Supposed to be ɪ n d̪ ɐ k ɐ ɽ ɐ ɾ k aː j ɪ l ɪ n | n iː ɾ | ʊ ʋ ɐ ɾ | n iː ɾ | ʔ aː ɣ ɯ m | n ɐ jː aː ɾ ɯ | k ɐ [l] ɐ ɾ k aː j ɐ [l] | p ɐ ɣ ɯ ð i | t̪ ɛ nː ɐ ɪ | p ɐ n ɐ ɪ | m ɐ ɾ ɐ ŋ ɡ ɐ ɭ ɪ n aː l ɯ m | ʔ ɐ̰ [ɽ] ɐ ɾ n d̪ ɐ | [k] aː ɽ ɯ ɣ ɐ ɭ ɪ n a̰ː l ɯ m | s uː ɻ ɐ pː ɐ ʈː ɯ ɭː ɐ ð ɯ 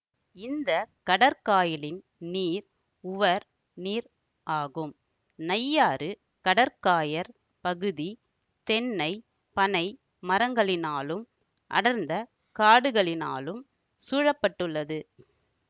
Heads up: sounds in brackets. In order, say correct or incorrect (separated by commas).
incorrect, incorrect, correct, correct